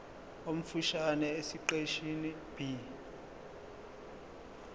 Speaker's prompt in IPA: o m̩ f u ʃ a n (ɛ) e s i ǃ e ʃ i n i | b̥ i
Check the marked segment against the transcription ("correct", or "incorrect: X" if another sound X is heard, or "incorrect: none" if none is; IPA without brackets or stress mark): correct